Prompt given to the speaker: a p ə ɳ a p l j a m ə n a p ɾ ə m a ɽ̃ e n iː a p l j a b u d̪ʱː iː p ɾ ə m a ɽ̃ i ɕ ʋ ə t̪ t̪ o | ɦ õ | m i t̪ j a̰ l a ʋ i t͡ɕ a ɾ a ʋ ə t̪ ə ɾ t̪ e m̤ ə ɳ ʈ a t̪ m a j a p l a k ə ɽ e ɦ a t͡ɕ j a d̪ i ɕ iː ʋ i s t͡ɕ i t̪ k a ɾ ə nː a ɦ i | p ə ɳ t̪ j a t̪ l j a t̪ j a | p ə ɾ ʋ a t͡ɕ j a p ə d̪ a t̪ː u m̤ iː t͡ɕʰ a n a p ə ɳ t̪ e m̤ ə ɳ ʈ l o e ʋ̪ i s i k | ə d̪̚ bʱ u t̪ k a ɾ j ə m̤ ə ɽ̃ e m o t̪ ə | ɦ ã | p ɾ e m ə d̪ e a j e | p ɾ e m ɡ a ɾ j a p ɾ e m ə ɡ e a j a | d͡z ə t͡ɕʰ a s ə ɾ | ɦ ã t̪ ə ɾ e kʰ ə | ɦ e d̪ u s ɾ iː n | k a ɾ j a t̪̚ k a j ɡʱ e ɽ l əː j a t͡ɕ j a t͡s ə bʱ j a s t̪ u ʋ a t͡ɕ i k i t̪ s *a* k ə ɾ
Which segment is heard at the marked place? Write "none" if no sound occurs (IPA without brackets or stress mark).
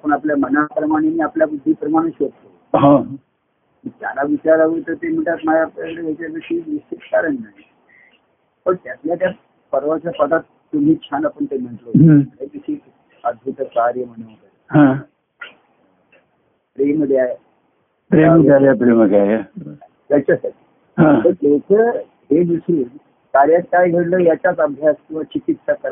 a